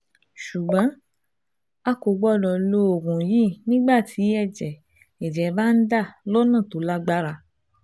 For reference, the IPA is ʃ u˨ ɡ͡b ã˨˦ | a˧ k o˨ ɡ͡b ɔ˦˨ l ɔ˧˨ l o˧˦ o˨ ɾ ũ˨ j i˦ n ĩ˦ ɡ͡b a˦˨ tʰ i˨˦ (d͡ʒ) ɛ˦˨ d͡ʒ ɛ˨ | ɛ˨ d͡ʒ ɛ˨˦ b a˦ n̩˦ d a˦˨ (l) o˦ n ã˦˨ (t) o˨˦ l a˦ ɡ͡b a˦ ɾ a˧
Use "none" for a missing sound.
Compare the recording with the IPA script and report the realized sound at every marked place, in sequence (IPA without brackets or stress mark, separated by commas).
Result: none, l, t